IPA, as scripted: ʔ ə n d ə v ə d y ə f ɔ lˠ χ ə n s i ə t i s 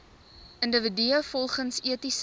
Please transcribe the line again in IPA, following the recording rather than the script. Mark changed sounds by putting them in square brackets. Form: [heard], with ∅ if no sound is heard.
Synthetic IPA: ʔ ə n d ə v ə d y ə f ɔ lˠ χ ə n s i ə t i s